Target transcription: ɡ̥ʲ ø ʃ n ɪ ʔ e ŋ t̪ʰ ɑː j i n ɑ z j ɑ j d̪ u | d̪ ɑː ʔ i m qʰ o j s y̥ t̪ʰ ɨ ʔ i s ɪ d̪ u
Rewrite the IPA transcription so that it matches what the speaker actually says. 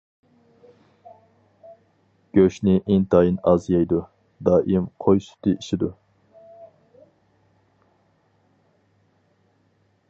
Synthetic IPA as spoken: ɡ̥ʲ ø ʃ n ɪ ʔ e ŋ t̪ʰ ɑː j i n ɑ z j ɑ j d̪ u | d̪ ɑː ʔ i m qʰ o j s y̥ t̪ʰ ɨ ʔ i ʃ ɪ d̪ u